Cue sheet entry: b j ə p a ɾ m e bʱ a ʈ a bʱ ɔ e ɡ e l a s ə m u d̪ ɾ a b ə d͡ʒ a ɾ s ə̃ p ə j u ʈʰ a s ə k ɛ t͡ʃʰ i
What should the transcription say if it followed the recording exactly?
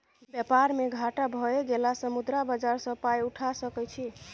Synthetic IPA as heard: b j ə p a ɾ m e ɡʱ a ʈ a bʱ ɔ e ɡ e l a s ə m u d̪ ɾ a b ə d͡ʒ a ɾ s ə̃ p a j u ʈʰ a s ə k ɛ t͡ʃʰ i